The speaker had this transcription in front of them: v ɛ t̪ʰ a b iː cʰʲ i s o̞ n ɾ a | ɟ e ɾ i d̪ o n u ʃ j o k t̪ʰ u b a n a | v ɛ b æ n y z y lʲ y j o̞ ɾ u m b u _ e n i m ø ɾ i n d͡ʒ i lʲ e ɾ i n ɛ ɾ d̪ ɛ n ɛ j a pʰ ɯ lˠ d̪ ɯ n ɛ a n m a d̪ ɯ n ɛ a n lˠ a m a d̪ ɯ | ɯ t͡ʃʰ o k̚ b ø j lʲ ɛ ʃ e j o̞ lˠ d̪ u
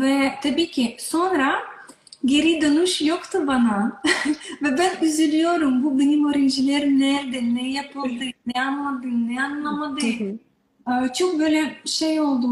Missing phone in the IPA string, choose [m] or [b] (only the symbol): b